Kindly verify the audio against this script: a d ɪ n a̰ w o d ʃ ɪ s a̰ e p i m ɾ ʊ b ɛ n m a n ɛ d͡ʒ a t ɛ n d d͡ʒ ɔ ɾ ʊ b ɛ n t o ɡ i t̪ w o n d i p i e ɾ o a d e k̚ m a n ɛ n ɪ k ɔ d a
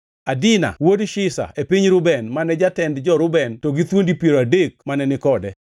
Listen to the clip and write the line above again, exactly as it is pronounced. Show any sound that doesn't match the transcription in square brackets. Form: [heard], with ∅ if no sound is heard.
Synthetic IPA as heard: a d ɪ n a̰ w o d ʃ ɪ s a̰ e p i [ɲ] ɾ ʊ b ɛ n m a n ɛ d͡ʒ a t ɛ n d d͡ʒ ɔ ɾ ʊ b ɛ n t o ɡ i t̪ w o n d i p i e ɾ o a d e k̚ m a n ɛ n ɪ k ɔ d [ɛ]